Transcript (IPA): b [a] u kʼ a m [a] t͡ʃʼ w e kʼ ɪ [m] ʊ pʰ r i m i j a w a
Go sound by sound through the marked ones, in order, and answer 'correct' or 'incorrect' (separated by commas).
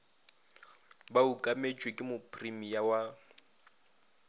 correct, incorrect, correct